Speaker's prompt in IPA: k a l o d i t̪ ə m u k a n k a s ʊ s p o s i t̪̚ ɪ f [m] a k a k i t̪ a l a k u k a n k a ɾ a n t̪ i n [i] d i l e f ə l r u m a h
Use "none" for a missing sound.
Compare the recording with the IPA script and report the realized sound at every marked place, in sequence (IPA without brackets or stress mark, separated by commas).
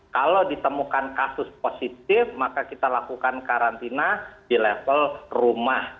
m, a